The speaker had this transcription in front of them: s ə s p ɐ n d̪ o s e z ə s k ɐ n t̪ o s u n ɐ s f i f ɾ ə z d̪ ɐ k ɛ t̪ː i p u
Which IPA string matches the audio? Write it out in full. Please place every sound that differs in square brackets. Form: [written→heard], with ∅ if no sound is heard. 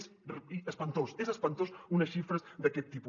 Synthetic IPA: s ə s p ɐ n [d̪→t̪] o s e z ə s [k→p] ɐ n t̪ o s u n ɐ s [f→ʃ] i f ɾ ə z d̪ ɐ k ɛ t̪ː i p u